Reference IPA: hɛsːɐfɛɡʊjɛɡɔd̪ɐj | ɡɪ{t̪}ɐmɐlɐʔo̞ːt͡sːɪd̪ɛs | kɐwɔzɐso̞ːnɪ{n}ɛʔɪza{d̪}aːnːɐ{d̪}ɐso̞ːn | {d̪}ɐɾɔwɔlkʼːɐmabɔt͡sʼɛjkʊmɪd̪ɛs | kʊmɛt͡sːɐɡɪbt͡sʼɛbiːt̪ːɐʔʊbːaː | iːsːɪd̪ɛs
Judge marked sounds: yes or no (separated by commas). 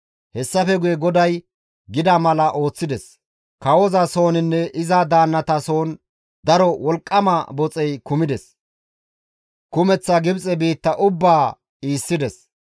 no, no, yes, no, yes